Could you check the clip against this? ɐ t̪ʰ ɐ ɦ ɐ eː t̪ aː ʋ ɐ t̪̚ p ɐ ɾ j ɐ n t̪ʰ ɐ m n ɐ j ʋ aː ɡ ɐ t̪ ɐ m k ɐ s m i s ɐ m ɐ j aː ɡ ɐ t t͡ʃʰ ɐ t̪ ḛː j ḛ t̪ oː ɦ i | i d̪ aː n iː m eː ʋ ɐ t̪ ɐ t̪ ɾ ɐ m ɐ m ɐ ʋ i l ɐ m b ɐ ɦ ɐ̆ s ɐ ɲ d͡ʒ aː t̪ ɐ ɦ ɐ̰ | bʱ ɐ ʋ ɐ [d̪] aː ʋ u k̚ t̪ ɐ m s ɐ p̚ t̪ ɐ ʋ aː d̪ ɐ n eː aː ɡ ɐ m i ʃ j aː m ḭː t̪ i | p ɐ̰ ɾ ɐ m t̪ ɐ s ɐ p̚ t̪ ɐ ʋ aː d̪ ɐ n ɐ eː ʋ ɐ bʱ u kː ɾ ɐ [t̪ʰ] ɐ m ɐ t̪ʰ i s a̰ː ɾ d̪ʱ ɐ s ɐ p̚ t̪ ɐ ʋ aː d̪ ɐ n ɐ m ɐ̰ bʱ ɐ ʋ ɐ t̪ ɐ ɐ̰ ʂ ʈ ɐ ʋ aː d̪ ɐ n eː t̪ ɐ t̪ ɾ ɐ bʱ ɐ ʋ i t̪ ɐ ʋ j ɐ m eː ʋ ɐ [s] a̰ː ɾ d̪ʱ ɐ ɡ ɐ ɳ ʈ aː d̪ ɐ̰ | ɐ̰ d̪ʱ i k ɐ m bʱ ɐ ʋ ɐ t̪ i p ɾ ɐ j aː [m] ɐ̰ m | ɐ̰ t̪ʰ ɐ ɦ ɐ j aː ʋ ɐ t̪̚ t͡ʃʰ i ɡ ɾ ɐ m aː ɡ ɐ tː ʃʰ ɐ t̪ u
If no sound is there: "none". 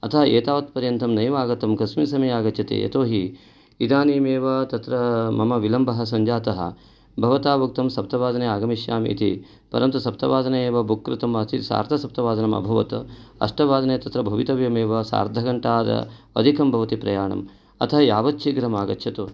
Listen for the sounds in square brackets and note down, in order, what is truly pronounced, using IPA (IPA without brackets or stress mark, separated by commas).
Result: t̪, t̪, s, ɳ